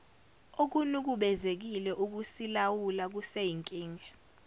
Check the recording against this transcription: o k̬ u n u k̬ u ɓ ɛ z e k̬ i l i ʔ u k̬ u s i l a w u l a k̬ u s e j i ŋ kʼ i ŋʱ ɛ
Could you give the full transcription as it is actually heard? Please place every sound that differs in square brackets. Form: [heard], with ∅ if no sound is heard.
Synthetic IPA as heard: o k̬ u n u k̬ u ɓ ɛ z e k̬ i l [ɛ] ʔ u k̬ u s i l a w u l a k̬ u s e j i ŋ kʼ [iː] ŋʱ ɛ